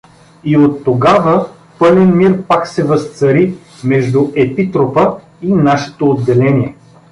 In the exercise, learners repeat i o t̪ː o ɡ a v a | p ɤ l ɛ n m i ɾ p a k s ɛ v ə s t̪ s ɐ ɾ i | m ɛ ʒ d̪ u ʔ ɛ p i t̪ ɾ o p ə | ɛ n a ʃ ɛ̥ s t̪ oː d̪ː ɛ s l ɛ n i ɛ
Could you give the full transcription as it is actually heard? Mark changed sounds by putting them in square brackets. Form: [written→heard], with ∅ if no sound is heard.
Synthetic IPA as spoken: i o t̪ː o ɡ a v [a→ə] | p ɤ l ɛ n m i ɾ p a k s ɛ v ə s t̪ s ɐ ɾ i | m ɛ ʒ d̪ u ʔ ɛ p i t̪ ɾ o p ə | [ɛ→i] n a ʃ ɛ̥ [s→∅] t̪ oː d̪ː ɛ [s→∅] l ɛ n i ɛ

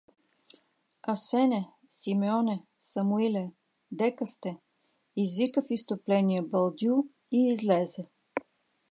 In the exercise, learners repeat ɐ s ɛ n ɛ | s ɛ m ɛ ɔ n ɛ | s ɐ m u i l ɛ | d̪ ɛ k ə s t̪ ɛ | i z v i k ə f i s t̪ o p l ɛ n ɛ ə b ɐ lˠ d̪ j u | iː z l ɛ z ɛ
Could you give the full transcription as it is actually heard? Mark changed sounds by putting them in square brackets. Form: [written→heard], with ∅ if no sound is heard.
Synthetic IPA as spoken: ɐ s ɛ n ɛ | s [ɛ→i] m ɛ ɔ n ɛ | s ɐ m u i l ɛ | d̪ ɛ k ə s t̪ ɛ | i z v i k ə f i s t̪ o p l ɛ n [ɛ→i] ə b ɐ lˠ d̪ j u | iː z l ɛ z ɛ

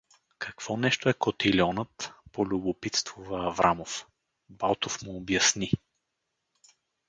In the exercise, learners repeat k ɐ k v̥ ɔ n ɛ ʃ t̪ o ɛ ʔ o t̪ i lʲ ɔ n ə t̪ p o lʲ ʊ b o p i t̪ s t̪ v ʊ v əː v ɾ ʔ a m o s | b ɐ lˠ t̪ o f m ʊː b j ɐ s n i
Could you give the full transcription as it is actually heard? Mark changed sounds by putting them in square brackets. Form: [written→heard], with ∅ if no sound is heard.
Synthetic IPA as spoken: k ɐ k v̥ ɔ n ɛ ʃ t̪ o ɛ [ʔ→k] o t̪ i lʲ ɔ n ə t̪ p o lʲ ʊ b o p i t̪ s t̪ v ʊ v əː v ɾ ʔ a m o [s→f] | b [ɐ→a] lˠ t̪ o f m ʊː b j ɐ s n i

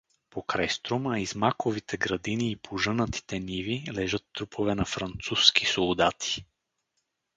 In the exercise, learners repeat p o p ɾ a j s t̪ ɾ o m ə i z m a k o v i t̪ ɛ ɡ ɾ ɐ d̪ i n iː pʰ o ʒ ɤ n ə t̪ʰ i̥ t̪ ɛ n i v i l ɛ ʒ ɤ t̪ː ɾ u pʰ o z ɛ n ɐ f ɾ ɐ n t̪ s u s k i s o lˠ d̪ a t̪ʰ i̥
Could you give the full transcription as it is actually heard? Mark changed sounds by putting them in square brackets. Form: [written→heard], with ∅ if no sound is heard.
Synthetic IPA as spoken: p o [p→k] ɾ a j s t̪ ɾ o m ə i z m a k o v i t̪ ɛ ɡ ɾ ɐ d̪ i n iː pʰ o ʒ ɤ n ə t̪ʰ i̥ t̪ ɛ n i v i l ɛ ʒ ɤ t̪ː ɾ u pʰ o [z→v] ɛ n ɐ f ɾ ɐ n t̪ s u s k i s o lˠ d̪ a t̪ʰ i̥

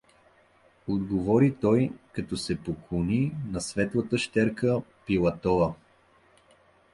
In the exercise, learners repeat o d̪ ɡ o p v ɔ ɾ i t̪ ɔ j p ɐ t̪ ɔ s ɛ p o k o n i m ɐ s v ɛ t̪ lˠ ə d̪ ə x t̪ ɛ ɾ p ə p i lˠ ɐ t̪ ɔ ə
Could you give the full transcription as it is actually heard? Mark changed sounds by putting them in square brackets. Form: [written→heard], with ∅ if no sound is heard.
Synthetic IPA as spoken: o d̪ ɡ o [p→∅] v ɔ ɾ i t̪ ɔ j [p→k] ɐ t̪ ɔ s ɛ p o k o n i [m→n] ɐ s v ɛ t̪ lˠ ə [d̪→t̪] ə [x→ʃ] t̪ ɛ ɾ [p→k] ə p i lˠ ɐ t̪ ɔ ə

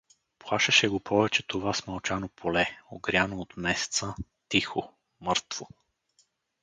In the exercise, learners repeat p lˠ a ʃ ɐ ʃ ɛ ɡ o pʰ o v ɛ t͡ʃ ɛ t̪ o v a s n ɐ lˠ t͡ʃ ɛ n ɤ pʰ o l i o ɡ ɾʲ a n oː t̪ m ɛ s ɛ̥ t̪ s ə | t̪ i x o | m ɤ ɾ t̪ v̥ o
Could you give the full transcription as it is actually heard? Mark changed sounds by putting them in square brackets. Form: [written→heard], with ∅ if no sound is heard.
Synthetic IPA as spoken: p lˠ a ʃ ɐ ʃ ɛ ɡ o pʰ [o→ɔ] v ɛ t͡ʃ ɛ t̪ o v a s [n→m] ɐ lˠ t͡ʃ [ɛ→a] n [ɤ→o] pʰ o l [i→ɛ] o ɡ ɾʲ a n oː t̪ m ɛ s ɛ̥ t̪ s ə | t̪ i x o | m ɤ ɾ t̪ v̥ o

